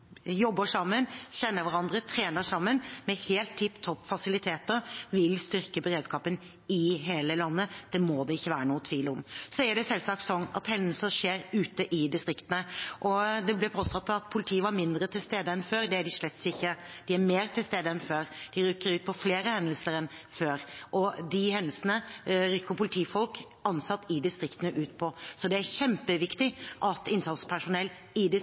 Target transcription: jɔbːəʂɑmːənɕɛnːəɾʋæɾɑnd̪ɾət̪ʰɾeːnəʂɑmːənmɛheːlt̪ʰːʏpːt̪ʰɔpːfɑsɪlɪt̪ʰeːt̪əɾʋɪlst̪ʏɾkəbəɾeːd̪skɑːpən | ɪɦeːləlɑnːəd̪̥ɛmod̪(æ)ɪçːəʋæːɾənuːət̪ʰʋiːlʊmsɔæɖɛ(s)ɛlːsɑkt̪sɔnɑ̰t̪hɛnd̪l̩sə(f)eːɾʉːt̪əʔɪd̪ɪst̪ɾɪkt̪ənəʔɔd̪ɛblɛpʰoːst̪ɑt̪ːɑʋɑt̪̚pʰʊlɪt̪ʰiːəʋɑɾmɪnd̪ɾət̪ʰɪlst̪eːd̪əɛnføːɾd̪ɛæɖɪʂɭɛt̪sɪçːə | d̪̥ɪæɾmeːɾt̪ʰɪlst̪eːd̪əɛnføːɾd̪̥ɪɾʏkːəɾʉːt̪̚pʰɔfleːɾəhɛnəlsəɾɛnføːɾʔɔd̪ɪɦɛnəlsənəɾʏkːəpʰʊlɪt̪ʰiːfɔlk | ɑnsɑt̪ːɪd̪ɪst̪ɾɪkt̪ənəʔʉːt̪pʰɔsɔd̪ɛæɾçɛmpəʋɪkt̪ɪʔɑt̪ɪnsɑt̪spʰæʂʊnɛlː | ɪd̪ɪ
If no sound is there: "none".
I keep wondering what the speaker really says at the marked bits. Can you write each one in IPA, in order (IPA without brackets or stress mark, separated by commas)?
ɛ, s, ʂ